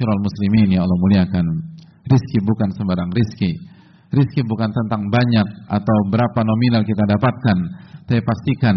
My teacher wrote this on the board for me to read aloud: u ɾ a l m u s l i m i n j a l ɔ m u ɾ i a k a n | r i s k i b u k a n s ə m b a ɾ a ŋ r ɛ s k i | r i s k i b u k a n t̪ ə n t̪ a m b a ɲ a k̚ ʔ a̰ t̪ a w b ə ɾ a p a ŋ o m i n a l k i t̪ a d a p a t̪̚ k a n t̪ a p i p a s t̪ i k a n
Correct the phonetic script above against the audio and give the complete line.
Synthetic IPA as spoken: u ɾ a l m u s l i m i n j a l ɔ m u l i a k a n | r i s k i b u k a n s ə m b a ɾ a ŋ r i s k i | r i s k i b u k a n t̪ ə n t̪ a ŋ b a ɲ a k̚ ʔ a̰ t̪ a w b ə ɾ a p a n o m i n a l k i t̪ a d a p a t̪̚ k a n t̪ a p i p a s t̪ i k a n